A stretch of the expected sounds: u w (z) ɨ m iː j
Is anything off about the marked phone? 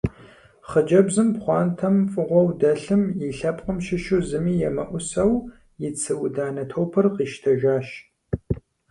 no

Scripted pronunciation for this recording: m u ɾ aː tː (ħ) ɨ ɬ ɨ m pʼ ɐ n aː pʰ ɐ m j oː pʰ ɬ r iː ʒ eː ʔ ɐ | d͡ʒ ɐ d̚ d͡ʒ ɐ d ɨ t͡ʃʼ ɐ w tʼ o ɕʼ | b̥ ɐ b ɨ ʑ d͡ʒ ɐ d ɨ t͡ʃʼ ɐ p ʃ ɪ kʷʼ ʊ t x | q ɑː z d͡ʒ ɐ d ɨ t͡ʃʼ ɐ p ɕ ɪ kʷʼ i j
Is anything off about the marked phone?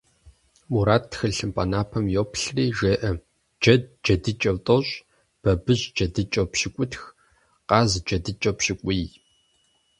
yes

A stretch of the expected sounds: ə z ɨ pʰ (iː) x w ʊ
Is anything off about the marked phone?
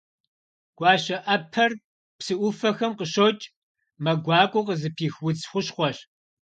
no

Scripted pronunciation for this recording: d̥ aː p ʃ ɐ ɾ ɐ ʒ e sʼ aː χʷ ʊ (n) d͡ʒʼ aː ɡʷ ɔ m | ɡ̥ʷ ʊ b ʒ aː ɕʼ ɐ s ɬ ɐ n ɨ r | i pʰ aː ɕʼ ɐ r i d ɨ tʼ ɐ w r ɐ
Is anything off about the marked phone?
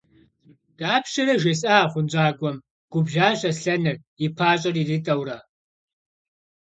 no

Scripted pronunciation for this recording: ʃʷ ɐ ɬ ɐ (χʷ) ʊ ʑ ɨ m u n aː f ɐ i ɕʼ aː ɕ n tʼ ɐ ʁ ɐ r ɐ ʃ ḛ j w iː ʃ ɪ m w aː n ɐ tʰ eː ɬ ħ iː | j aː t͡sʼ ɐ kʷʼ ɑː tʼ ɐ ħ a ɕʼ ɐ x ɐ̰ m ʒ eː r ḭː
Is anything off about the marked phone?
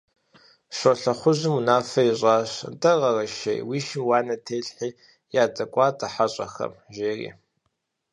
no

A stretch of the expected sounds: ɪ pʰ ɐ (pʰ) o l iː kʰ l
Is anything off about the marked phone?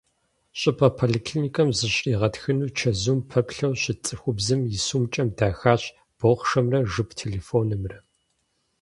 no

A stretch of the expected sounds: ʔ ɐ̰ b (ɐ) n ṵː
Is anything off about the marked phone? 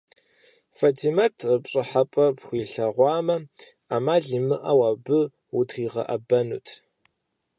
no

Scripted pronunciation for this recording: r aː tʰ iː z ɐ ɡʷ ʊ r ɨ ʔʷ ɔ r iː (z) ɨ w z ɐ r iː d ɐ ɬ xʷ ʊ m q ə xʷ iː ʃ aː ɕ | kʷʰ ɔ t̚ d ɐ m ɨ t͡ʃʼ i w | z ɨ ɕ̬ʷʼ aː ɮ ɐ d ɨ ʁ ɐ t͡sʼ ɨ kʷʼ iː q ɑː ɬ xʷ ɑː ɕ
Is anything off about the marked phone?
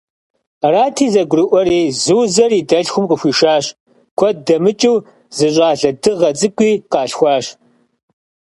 no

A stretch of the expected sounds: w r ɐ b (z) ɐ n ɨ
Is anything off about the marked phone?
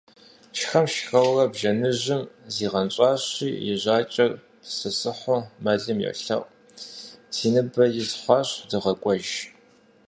yes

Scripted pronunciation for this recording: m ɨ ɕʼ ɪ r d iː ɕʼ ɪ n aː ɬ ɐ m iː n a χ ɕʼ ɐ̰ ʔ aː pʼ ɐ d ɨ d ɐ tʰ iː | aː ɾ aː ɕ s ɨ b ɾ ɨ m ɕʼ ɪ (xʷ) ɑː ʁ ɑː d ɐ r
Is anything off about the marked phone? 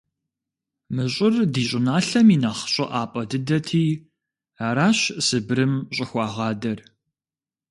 no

